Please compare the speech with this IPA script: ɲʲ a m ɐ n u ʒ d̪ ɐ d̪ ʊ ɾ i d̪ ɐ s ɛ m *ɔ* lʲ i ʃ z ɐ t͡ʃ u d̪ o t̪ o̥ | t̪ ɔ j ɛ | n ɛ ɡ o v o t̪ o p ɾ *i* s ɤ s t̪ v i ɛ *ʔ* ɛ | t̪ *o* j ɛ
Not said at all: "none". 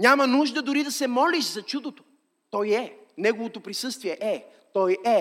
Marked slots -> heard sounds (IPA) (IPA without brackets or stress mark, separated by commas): ɔ, i, ʔ, ɔ